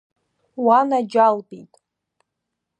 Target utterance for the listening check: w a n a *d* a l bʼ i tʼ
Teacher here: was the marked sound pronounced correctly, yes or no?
no